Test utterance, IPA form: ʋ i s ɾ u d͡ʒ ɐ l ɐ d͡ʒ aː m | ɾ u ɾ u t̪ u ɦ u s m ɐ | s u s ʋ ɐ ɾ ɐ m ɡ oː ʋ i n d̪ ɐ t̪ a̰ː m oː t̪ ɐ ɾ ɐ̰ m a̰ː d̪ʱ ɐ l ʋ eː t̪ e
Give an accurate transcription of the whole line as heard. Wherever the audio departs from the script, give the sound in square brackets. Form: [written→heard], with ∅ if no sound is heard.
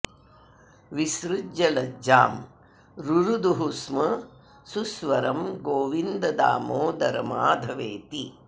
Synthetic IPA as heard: ʋ i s ɾ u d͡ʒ ɐ l ɐ d͡ʒ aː m | ɾ u ɾ u [t̪→d̪] u ɦ u s m ɐ | s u s ʋ ɐ ɾ ɐ m ɡ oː ʋ i n d̪ ɐ [t̪→d̪] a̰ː m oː [t̪→d̪] ɐ ɾ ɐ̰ m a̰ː d̪ʱ ɐ [l→∅] ʋ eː t̪ [e→i]